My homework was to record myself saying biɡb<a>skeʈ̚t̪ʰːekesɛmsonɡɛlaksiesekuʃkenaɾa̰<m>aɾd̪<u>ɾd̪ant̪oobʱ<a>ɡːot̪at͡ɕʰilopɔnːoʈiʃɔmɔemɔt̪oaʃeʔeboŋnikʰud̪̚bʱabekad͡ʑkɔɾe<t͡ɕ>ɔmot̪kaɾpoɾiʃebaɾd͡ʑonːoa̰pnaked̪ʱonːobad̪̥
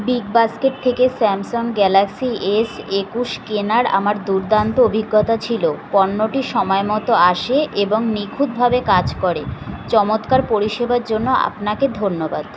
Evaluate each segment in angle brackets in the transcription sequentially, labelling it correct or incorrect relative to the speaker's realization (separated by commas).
correct, correct, correct, incorrect, correct